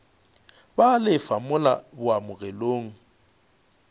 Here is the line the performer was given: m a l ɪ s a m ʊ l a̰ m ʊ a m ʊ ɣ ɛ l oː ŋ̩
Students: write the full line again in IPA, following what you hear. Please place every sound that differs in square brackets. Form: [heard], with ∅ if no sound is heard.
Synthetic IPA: [b] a l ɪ [f] a m ʊ l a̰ [b] ʊ a m ʊ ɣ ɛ l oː ŋ̩